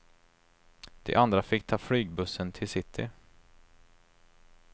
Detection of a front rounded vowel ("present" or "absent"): present